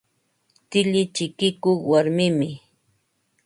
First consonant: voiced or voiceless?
voiceless